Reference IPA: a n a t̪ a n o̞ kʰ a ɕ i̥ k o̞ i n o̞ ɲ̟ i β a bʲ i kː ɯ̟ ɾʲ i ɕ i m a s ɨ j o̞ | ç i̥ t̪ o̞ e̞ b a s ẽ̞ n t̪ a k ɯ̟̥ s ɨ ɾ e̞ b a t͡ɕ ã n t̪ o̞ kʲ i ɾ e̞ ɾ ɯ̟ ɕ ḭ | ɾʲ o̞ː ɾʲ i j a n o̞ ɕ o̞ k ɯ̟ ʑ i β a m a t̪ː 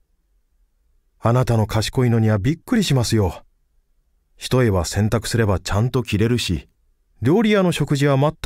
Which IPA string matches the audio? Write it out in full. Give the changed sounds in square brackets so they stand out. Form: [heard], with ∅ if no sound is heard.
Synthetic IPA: a n a t̪ a n o̞ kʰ a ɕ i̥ k o̞ i n o̞ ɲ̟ i β a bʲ i kː ɯ̟ ɾʲ i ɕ i m a s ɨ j o̞ | ç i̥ t̪ o̞ e̞ [β] a s ẽ̞ n t̪ a k ɯ̟̥ s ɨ ɾ e̞ b a t͡ɕ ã n t̪ o̞ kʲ i ɾ e̞ ɾ ɯ̟ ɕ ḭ | ɾʲ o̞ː ɾʲ i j a n o̞ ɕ o̞ k ɯ̟ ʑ i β a m a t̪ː